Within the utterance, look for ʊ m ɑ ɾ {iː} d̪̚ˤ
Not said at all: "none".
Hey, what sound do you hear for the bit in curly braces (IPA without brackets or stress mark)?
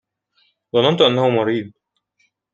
iː